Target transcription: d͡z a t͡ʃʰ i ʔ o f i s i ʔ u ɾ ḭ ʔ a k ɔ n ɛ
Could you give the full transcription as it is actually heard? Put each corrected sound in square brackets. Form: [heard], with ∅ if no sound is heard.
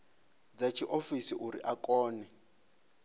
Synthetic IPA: d͡z a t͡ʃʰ i ʔ o f i s i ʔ u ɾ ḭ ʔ a k [ɔː] n ɛ